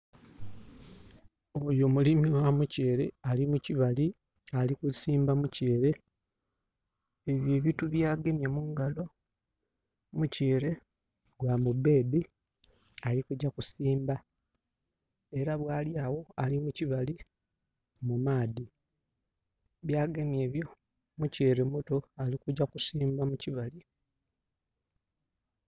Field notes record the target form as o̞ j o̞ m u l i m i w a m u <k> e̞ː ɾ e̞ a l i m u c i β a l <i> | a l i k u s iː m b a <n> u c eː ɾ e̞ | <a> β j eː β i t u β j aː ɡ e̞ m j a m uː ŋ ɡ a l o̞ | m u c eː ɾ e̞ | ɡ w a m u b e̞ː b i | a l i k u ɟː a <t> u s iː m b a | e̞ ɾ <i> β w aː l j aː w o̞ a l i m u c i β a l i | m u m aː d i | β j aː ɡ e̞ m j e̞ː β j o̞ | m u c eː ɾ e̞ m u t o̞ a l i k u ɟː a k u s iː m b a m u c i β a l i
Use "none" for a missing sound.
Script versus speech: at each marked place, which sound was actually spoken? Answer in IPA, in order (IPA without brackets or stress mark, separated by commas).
c, i, m, e, k, a